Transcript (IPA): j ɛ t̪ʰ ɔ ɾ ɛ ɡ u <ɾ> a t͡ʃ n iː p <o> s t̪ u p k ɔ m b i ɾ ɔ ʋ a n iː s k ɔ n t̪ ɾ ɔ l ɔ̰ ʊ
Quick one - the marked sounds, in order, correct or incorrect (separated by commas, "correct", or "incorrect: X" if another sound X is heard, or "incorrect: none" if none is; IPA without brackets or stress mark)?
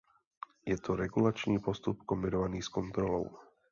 incorrect: l, incorrect: ɔ